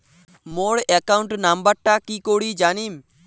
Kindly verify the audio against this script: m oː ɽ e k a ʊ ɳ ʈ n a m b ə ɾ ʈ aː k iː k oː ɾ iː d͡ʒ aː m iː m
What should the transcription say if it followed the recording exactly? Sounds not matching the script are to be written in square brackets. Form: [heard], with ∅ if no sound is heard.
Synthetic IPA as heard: m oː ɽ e k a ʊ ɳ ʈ n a m b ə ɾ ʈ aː k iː k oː [ɽ] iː d͡ʒ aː [n] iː m